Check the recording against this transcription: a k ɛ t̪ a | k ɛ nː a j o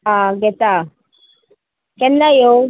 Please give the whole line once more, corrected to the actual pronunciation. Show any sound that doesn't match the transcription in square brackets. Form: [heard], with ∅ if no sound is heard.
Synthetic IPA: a [ɡ] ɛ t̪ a | k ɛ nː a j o